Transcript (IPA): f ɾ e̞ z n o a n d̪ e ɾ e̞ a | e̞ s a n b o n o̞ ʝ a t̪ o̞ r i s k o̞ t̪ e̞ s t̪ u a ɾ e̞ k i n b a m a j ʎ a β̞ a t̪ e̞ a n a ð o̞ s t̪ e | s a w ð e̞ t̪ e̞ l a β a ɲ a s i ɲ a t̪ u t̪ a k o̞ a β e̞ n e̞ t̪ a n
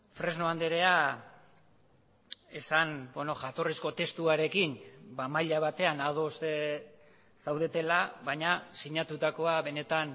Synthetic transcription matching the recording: f ɾ e̞ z n o a n d̪ e ɾ e̞ a | e̞ s a n b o n o̞ ʝ a t̪ o̞ r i s k o̞ t̪ e̞ s t̪ u a ɾ e̞ k i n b a m a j ʎ a β̞ a t̪ e̞ a n a ð o̞ s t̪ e | s a w ð e̞ t̪ e̞ l a β a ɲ a s i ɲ a t̪ u t̪ a k o̞ a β e̞ n e̞ t̪ a n

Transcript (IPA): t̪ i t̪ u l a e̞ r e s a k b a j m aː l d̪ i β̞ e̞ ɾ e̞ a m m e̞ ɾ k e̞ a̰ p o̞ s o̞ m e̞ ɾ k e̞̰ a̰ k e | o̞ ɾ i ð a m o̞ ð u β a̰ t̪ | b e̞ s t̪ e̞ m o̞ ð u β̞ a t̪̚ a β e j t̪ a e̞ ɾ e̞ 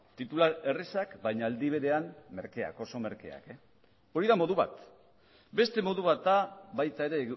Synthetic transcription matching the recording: t̪ i t̪ u l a e̞ r e s a k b a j ɲ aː l d̪ i β̞ e̞ ɾ e̞ a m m e̞ ɾ k e̞ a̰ k o̞ s o̞ m e̞ ɾ k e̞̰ a̰ k e | o̞ ɾ i ð a m o̞ ð u β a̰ t̪ | b e̞ s t̪ e̞ m o̞ ð u β̞ a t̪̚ a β a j t̪ a e̞ ɾ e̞

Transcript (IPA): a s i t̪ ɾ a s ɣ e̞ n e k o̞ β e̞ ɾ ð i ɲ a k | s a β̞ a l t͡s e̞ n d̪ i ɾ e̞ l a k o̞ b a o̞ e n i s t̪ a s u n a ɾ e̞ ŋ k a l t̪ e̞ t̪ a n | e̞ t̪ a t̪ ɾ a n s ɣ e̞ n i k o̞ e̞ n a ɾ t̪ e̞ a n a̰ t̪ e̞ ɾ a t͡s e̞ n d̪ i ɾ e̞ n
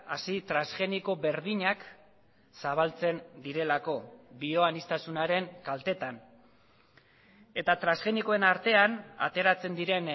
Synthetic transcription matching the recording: a s i t̪ ɾ a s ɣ e̞ n i k o̞ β e̞ ɾ ð i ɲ a k | s a β̞ a l t͡s e̞ n d̪ i ɾ e̞ l a k o̞ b i o̞ a n i s t̪ a s u n a ɾ e̞ ŋ k a l t̪ e̞ t̪ a n | e̞ t̪ a t̪ ɾ a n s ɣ e̞ n i k o̞ e̞ n a ɾ t̪ e̞ a n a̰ t̪ e̞ ɾ a t͡s e̞ n d̪ i ɾ e̞ n

